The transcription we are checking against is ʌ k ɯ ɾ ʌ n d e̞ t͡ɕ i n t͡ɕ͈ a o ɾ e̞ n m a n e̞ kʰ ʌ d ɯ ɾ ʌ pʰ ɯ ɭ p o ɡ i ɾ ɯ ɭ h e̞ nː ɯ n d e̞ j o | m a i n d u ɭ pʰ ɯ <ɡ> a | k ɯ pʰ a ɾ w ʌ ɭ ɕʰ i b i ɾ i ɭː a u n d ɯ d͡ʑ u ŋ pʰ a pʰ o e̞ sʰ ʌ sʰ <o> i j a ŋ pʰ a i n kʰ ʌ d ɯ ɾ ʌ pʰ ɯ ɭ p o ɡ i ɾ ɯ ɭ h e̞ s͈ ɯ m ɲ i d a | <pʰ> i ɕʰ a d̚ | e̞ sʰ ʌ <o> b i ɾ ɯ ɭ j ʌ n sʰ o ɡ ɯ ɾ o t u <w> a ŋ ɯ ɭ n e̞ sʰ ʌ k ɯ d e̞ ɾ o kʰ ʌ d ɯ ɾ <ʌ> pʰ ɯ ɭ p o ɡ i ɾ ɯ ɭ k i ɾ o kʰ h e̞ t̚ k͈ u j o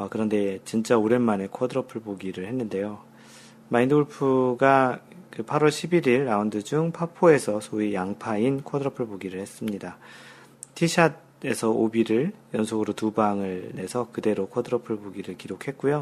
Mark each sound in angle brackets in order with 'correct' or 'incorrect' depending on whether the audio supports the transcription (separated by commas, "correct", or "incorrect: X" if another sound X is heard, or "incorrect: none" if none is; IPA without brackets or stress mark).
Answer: correct, correct, incorrect: tʰ, correct, incorrect: b, correct